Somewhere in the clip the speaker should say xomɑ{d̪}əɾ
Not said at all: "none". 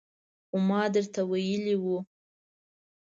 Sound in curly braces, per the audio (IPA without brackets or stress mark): d̪